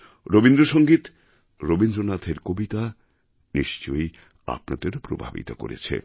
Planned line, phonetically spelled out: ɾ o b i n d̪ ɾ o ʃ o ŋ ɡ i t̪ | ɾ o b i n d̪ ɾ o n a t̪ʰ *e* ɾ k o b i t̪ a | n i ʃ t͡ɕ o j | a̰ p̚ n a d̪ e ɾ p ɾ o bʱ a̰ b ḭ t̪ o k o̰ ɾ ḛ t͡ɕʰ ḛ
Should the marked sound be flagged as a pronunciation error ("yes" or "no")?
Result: no